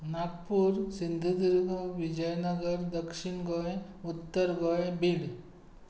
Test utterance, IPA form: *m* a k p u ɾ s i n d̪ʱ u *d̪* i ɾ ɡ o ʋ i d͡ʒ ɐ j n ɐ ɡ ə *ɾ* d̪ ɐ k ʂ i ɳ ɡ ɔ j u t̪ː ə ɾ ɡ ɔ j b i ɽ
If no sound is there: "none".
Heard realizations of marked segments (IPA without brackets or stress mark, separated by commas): n, d̪, ɾ